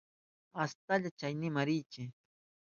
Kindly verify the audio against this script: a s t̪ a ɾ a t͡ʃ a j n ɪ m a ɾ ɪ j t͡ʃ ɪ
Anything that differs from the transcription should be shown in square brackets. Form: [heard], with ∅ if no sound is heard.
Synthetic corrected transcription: a s t̪ a [ʎ] a t͡ʃ a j n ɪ m a ɾ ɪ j t͡ʃ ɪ

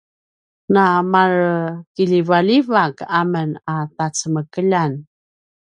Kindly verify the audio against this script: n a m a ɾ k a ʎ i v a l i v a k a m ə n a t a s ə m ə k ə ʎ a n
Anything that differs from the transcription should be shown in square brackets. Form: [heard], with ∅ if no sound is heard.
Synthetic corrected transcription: n a m a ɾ k [i] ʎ i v a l i v a k a m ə n a t a [t͡s] ə m ə k ə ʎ a n

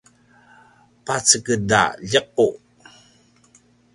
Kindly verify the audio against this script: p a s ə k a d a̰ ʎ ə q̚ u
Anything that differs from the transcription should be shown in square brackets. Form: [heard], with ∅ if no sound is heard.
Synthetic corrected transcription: p a [t͡s] ə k [ə] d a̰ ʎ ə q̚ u

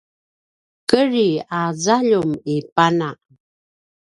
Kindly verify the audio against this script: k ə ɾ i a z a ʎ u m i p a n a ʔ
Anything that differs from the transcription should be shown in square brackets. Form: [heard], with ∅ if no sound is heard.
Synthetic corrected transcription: k ə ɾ i a z a ʎ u m i p a n a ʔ

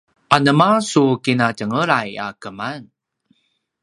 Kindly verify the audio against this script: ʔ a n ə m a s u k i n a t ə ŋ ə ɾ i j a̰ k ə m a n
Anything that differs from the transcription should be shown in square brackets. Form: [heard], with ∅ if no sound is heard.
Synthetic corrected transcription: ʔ a n ə m a s u k i n a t ə ŋ ə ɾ [a] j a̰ k ə m a n

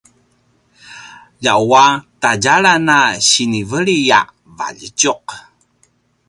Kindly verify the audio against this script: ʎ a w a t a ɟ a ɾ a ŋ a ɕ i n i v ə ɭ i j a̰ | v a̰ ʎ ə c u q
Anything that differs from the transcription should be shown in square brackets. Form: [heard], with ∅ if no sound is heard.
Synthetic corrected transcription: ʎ a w a t a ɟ a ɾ a [n] a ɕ i n i v ə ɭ i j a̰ | v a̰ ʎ ə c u q

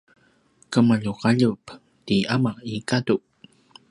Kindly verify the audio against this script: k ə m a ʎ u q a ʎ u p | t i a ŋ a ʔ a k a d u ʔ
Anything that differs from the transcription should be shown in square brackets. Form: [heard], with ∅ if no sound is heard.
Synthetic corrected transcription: k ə m a ʎ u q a ʎ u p | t i a [m] a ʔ [i] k a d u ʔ

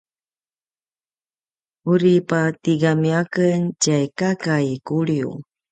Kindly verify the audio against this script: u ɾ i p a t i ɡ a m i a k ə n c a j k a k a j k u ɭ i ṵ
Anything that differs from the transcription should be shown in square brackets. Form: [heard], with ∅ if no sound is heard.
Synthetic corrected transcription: u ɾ i p a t i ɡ a m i a k ə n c a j k a k a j k u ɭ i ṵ

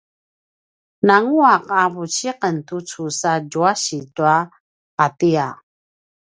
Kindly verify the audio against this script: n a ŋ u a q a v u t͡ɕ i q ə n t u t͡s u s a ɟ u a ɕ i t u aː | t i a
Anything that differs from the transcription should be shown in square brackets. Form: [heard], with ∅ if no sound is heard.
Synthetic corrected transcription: n a ŋ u a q a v u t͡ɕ i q ə n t u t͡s u s a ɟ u a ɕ i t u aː | t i a

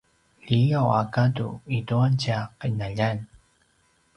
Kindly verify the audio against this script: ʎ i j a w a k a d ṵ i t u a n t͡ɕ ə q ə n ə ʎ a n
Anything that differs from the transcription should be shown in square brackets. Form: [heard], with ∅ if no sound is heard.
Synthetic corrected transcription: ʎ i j a w a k a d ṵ i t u a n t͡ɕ [a] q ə n [a] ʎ a n

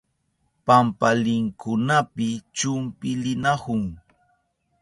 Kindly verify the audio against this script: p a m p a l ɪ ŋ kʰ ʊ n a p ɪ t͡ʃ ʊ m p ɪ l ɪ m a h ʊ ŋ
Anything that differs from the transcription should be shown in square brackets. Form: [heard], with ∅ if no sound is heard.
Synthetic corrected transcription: p a m p a l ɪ ŋ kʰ ʊ n a p ɪ t͡ʃ ʊ m p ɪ l ɪ [n] a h ʊ ŋ

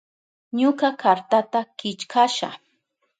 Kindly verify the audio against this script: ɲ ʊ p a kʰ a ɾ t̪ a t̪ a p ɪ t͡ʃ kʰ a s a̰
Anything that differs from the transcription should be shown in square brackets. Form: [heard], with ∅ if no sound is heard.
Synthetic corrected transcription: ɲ ʊ [k] a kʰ a ɾ t̪ a t̪ a [k] ɪ t͡ʃ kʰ a [ʃ] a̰

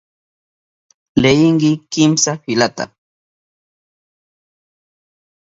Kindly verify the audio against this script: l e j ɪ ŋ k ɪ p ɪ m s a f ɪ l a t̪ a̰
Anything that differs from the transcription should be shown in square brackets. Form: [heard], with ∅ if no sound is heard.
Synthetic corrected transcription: l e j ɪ ŋ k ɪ [k] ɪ m s a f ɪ l a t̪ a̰

